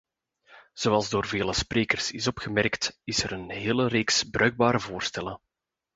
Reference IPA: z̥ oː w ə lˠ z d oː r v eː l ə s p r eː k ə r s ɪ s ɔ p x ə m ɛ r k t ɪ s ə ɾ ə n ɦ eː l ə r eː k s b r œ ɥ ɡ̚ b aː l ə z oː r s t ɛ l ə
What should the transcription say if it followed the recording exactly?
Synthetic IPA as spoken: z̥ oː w ɑ lˠ z d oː r v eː l ə s p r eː k ə r s ɪ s ɔ p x ə m ɛ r k t ɪ s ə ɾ ə n ɦ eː l ə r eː k s b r œ ɥ ɡ̚ b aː ɾ ə v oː r s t ɛ l ə